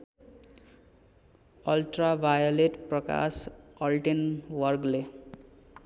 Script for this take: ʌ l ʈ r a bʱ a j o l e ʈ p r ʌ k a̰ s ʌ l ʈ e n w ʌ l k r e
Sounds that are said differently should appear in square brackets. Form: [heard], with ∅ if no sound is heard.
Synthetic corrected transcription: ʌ l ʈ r a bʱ a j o l e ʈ p r ʌ k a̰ s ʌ l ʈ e n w ʌ [r] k [l] e